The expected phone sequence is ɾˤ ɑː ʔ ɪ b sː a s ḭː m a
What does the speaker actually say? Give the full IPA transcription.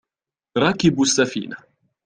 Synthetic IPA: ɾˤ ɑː k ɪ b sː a f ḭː n a

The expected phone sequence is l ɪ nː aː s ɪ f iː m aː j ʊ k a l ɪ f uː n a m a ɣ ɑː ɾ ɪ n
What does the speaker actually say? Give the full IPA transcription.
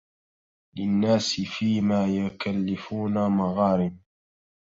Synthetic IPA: l ɪ nː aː s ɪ f iː m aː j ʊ k a lː ɪ f uː n a m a ɣ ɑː ɾ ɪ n

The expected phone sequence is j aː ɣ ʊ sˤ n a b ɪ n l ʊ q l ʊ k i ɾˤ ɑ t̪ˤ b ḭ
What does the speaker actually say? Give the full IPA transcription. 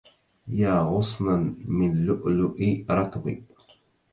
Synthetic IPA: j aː ɣ ʊ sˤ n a m ɪ n l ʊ ʔ l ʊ ʔ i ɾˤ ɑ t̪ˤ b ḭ

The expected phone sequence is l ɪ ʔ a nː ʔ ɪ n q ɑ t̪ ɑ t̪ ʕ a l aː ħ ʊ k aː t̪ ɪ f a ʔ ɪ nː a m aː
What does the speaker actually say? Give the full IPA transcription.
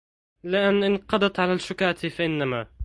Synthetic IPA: l ɪ ʔ a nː ʔ ɪ n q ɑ d̪ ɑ t̪ ʕ a l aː ʃ ʊ k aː t̪ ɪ f a ʔ ɪ nː a m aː

